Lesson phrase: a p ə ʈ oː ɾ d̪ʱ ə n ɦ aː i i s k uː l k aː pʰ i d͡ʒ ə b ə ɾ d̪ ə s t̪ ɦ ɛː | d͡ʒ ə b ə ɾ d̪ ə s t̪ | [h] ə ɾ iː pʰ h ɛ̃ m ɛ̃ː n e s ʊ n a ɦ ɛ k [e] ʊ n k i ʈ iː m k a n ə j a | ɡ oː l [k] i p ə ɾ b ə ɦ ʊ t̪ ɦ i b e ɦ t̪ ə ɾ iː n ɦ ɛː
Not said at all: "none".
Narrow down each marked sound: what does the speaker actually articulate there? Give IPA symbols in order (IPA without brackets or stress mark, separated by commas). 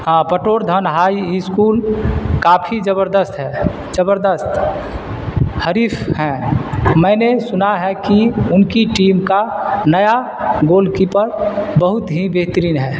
h, i, k